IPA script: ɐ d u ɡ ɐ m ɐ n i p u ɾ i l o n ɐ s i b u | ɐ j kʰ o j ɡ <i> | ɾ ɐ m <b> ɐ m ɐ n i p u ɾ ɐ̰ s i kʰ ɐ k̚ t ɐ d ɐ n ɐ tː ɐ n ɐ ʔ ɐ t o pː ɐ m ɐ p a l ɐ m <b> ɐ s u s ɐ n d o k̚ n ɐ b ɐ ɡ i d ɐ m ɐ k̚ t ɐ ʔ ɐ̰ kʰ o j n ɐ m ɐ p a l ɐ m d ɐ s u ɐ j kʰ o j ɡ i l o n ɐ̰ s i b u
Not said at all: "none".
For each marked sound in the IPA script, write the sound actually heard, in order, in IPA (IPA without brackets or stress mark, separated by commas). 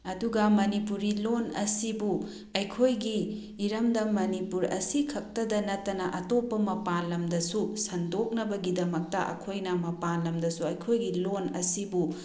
iː, d, d